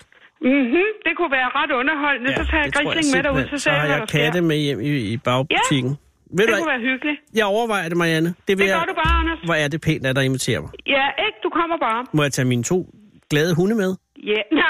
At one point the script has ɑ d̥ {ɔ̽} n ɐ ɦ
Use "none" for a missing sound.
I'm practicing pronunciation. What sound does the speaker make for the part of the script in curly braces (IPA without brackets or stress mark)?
ɔ̽